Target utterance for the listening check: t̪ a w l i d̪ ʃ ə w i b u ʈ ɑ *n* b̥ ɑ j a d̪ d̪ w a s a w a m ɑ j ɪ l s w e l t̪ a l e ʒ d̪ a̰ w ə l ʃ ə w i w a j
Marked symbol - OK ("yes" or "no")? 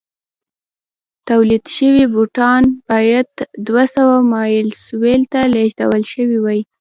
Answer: yes